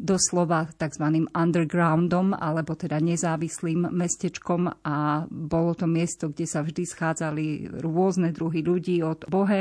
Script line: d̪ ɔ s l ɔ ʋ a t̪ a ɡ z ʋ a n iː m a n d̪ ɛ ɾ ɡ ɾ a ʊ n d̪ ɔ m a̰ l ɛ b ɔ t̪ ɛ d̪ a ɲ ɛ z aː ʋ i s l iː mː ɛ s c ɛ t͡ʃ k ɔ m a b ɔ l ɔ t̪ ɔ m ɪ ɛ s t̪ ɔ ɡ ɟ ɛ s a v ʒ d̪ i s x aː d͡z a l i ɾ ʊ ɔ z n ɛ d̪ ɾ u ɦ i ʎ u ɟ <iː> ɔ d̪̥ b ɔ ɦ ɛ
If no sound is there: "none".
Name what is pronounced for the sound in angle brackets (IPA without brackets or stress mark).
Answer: iː